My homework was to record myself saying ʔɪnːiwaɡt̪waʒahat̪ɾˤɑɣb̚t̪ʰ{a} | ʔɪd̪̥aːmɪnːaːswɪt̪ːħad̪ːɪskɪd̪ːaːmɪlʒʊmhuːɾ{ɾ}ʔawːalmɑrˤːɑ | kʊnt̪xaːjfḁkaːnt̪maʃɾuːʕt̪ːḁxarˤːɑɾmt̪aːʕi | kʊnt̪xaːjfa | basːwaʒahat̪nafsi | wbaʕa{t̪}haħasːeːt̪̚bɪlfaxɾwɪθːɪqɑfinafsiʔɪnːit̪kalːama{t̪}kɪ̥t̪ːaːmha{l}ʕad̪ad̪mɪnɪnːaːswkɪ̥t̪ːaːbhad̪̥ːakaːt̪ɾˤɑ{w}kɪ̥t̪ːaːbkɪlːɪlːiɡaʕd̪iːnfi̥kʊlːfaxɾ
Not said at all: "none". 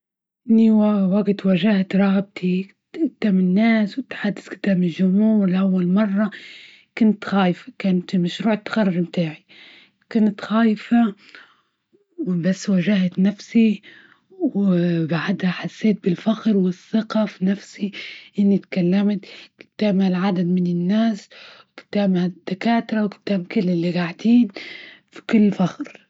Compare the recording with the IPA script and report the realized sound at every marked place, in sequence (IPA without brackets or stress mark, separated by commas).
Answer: i, l, d̪, t̪, l, w